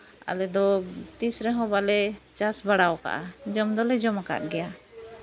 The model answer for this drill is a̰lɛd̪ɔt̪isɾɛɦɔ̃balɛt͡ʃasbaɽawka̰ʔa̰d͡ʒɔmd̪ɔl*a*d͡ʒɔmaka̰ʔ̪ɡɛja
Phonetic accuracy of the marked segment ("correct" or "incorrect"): incorrect